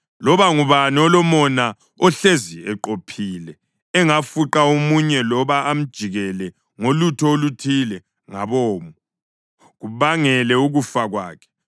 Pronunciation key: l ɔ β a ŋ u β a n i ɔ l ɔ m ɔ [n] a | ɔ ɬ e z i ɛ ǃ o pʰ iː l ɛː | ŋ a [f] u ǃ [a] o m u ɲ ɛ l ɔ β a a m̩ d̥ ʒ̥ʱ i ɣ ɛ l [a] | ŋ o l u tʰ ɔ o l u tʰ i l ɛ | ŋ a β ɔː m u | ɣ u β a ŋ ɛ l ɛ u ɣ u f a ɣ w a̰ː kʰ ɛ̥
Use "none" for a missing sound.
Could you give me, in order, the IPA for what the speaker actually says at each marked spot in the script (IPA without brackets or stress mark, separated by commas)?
n, f, a, ɛ